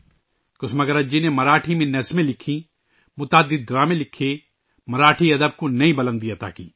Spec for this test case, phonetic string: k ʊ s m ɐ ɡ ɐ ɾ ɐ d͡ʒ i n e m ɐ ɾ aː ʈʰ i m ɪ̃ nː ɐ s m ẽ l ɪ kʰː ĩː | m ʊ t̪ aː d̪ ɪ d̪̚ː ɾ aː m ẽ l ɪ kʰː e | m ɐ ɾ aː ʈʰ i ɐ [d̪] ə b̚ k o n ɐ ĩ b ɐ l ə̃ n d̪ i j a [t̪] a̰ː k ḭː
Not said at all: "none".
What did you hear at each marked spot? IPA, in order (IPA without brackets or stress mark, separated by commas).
d̪, t̪